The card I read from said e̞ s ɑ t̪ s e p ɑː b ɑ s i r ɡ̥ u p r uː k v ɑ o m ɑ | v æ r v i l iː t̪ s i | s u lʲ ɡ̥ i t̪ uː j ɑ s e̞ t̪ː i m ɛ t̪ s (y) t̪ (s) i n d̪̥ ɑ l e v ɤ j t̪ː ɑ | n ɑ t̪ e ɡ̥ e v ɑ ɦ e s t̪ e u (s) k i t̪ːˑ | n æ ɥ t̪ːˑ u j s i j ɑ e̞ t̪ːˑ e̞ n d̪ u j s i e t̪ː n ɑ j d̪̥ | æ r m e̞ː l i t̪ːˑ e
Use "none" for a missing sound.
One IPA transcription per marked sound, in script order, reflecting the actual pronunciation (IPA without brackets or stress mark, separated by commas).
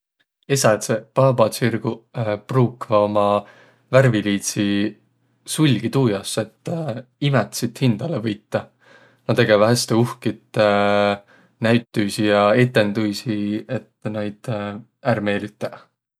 i, h, h